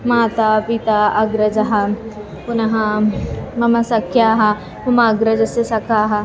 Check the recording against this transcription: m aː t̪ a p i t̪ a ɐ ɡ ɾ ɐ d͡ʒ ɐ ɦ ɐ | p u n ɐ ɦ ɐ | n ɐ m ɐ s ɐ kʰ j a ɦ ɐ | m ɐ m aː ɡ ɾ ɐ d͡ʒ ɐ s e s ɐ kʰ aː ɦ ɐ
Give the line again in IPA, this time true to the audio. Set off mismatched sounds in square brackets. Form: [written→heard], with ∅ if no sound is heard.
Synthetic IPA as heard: m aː t̪ a p i t̪ a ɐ ɡ ɾ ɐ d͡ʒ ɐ ɦ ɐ | p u n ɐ ɦ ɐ | [n→m] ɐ m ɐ s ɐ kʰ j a ɦ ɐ | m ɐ m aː ɡ ɾ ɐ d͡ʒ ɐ s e s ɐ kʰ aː ɦ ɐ